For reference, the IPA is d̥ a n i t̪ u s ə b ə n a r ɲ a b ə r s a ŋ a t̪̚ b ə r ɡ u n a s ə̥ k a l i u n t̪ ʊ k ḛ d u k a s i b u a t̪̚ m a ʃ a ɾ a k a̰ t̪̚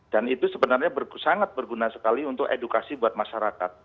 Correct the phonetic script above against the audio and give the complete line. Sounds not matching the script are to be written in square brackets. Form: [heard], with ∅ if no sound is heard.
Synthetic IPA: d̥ a n i t̪ u s ə b ə n a r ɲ a b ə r s a ŋ a t̪̚ b ə r ɡ u n a s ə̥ k a l i u n t̪ ʊ k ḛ d u k a s i b u a t̪̚ m a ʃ a ɾ a k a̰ t̪̚